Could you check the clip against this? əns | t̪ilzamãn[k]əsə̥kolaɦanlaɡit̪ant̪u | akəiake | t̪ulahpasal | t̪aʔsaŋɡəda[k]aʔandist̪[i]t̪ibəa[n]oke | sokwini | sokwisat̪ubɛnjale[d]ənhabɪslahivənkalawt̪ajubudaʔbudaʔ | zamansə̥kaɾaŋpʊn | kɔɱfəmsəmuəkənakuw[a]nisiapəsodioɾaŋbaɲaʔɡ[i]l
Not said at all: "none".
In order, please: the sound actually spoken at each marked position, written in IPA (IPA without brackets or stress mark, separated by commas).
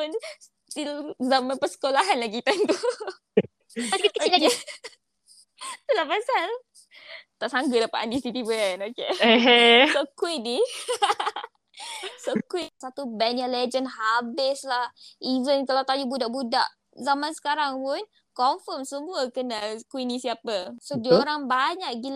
p, p, i, n, d͡ʒ, i, i